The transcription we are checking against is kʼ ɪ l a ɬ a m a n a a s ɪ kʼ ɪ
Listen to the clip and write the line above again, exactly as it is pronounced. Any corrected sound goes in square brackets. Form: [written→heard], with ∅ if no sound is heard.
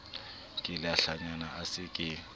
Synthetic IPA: kʼ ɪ l a ɬ a [m→ɲ] a n a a s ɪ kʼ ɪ